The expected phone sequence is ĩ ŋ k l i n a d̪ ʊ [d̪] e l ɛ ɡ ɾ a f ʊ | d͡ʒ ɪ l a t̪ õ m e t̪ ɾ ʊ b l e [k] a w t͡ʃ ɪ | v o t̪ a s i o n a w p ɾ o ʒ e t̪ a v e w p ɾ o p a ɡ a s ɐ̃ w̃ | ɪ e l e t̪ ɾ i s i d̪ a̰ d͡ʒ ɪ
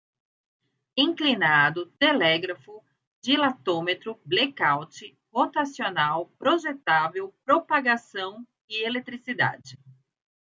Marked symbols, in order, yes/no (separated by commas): no, yes